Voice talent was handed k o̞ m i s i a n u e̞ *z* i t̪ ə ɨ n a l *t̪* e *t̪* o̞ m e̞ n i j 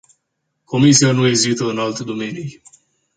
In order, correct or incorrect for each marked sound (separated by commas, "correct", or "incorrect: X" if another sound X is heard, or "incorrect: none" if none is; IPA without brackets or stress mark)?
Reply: correct, correct, incorrect: d̪